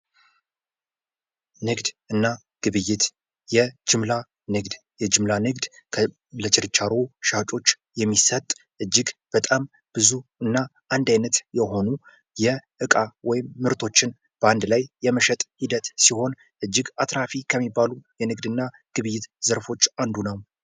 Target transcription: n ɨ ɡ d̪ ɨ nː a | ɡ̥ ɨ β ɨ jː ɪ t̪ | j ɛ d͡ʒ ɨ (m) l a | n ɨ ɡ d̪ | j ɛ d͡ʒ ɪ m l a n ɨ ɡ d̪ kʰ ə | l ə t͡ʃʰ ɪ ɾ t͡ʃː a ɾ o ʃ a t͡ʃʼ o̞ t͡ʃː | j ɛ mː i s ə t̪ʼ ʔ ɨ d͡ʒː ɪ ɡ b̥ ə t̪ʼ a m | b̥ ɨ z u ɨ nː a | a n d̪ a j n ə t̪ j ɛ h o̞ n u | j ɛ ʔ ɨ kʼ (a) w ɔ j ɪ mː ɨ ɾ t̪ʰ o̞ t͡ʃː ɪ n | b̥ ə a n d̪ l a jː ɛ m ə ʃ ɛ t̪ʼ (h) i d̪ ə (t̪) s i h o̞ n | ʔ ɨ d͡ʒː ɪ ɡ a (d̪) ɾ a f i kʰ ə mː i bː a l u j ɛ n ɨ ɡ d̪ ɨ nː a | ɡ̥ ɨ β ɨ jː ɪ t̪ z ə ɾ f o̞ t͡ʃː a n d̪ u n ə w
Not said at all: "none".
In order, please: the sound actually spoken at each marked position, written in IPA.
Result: m, a, h, t̪, t̪

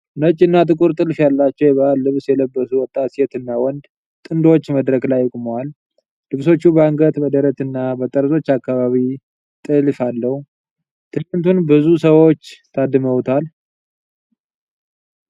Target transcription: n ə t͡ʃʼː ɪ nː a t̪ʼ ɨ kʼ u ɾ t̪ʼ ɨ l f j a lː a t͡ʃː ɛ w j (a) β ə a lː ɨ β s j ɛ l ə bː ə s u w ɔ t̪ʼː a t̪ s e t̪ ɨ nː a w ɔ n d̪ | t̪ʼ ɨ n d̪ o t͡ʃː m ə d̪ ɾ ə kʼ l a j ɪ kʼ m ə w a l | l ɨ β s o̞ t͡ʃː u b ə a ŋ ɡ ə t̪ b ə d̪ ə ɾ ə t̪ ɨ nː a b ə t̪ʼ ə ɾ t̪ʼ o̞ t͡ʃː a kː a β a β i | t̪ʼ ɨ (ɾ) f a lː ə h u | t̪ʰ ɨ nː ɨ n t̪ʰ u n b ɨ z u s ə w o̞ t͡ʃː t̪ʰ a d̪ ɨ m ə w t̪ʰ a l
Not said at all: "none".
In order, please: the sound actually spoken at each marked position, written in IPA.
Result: ɛ, l

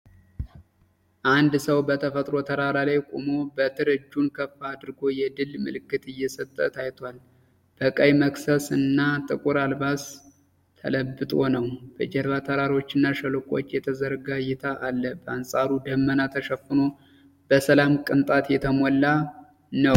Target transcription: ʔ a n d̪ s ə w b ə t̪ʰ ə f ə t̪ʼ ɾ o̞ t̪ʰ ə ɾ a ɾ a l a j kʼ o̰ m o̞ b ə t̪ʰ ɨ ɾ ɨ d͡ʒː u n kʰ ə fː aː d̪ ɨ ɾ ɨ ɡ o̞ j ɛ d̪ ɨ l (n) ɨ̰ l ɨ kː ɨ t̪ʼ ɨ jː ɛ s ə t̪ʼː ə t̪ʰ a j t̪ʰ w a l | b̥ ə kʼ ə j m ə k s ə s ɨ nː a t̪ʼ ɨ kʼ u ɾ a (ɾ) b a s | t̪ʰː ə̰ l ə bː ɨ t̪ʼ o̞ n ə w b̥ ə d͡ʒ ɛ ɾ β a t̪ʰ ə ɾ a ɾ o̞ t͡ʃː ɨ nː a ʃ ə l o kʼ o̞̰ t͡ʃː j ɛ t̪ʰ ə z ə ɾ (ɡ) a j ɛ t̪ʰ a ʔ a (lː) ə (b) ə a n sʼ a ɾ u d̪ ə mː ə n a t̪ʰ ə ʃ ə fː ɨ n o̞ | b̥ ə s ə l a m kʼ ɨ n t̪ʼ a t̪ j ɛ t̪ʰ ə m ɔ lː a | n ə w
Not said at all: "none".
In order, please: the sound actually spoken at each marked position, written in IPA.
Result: m, l, ɡ, lː, b

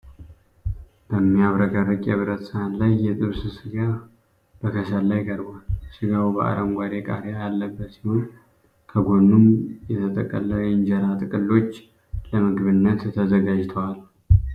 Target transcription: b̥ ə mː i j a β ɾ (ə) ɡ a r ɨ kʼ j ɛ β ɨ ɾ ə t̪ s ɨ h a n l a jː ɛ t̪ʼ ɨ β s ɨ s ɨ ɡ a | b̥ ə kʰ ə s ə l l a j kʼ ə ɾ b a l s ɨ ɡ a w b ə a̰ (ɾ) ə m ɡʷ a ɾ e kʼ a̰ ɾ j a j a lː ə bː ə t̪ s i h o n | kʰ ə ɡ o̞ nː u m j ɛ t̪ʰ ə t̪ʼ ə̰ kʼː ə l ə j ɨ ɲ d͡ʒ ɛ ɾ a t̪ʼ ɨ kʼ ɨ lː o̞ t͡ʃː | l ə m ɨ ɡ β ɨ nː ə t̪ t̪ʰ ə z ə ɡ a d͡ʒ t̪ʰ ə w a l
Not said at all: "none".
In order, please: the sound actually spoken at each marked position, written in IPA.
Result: ə, ɾ

